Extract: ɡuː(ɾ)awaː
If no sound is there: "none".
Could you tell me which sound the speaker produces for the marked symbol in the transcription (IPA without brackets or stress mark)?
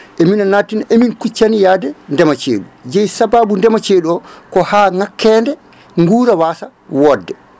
ɾ